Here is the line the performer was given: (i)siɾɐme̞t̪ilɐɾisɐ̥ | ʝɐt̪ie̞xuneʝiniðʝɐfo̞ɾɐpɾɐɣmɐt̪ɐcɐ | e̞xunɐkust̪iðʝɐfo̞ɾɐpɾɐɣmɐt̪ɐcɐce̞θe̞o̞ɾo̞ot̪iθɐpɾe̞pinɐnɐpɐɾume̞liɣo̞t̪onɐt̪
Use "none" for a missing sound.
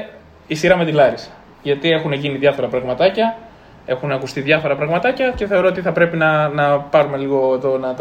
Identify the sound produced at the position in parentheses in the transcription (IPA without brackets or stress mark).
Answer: i